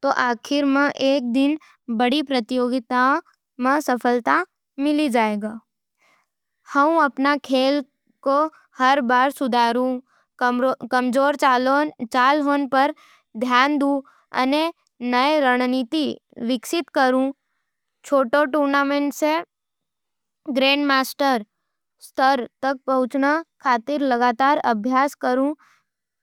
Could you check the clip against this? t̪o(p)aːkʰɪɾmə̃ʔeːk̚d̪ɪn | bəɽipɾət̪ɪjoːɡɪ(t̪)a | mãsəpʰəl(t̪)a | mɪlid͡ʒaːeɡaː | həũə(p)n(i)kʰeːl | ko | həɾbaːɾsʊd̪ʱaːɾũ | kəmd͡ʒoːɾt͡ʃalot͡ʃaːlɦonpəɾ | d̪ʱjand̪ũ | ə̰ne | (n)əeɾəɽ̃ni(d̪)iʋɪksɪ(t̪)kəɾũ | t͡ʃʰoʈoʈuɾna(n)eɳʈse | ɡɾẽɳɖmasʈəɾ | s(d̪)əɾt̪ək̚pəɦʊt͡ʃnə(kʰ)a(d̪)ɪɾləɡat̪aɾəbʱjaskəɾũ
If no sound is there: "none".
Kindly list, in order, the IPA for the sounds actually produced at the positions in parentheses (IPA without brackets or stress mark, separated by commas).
ʔ, t̪, t̪, p, a, n, t̪, t̪, m, t̪, kʰ, t̪